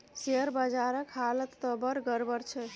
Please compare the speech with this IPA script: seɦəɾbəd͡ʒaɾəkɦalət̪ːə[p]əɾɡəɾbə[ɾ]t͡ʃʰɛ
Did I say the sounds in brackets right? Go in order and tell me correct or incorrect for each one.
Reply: incorrect, correct

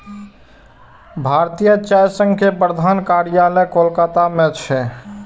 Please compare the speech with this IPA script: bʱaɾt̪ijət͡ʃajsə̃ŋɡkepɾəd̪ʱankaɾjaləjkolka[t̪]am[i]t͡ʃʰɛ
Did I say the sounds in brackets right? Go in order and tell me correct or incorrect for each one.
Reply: correct, incorrect

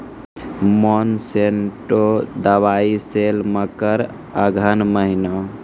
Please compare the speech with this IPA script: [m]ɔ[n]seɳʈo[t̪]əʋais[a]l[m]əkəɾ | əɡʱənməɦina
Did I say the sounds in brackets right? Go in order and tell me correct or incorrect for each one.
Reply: correct, correct, incorrect, incorrect, correct

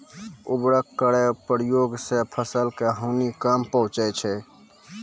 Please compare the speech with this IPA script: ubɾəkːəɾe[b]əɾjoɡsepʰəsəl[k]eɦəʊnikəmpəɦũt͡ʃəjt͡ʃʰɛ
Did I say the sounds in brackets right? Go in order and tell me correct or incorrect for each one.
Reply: incorrect, correct

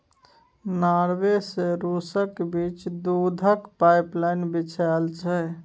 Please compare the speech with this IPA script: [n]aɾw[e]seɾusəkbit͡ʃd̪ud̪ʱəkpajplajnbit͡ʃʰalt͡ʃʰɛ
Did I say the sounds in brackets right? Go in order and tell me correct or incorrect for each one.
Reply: correct, correct

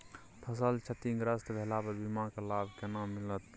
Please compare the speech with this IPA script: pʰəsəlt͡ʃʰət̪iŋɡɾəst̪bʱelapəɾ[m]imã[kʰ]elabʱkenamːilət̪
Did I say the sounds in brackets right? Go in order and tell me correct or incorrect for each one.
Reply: incorrect, incorrect

